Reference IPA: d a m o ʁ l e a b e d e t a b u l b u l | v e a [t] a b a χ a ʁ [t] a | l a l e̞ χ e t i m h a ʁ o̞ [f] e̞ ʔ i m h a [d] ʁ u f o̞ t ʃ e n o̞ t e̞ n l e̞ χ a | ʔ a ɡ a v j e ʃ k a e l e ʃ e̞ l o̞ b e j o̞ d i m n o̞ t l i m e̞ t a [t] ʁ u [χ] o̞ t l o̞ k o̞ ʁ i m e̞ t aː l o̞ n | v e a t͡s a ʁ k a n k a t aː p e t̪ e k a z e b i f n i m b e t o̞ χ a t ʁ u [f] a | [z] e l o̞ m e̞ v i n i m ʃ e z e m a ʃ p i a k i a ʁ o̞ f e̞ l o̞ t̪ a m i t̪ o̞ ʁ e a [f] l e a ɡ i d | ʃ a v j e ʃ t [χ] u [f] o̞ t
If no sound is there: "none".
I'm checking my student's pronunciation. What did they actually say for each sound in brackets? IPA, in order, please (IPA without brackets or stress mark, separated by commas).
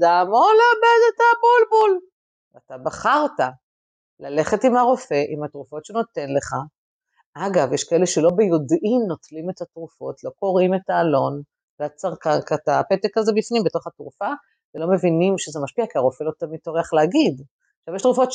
t, t, f, t, t, f, f, v, χ, ʁ, f